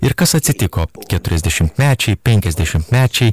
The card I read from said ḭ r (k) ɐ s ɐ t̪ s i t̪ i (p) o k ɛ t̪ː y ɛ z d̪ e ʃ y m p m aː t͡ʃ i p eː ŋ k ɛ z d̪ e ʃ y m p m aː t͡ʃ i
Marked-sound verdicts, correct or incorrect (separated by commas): correct, incorrect